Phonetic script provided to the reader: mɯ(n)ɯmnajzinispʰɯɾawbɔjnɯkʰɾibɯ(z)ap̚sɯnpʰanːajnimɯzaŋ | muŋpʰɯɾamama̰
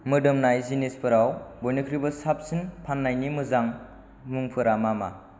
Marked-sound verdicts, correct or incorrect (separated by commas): incorrect, incorrect